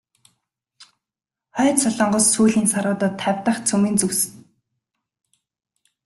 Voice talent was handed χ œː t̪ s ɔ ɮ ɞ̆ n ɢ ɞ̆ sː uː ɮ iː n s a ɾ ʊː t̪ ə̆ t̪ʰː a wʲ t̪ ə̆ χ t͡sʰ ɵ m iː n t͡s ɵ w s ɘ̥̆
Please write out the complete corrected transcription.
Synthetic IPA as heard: χ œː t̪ s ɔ ɮ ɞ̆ ɴ ɢ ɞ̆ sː uː ɮ iː n s a ɾ ʊː t̪ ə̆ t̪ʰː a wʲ t̪ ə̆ χ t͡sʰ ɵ m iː n t͡s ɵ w s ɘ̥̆